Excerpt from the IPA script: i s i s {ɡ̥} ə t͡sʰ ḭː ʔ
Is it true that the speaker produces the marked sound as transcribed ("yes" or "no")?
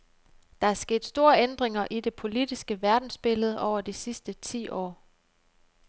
no